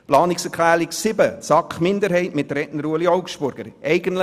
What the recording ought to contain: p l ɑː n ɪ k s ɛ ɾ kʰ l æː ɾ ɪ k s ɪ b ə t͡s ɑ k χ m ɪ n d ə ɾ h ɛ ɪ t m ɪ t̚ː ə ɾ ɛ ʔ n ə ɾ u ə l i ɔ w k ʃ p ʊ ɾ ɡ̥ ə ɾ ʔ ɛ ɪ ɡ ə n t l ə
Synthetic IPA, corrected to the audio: p l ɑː n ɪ k s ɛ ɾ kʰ l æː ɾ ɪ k s ɪ b ə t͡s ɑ k χ m ɪ n d ə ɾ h ɛ ɪ t m ɪ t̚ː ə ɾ ɛ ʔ n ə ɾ u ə l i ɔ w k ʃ p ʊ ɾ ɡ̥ ə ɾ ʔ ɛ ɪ ɡ ə n t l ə